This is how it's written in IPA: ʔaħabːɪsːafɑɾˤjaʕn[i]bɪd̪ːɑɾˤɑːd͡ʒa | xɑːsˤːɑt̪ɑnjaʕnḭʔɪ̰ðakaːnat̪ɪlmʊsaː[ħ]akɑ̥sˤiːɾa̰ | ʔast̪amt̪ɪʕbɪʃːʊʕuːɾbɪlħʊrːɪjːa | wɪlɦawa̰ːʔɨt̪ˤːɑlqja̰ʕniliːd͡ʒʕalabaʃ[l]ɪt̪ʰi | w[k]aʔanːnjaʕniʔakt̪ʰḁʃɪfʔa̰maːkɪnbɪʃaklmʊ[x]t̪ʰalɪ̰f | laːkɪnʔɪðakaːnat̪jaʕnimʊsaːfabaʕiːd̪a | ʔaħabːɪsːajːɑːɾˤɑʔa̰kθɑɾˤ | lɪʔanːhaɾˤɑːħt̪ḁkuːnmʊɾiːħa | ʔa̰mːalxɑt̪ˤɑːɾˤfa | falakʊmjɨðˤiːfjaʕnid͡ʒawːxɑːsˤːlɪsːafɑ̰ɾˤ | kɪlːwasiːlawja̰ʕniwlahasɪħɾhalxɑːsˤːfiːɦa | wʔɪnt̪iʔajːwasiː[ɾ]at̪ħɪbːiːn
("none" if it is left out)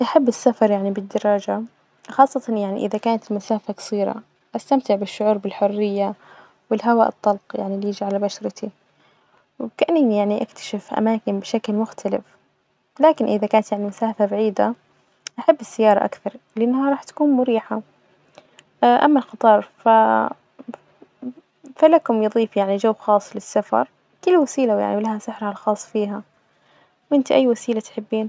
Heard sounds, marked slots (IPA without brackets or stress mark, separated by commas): i, f, ɾ, k, x, l